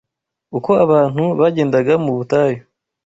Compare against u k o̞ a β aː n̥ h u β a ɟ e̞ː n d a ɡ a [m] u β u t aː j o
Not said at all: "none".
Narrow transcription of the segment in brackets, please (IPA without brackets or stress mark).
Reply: m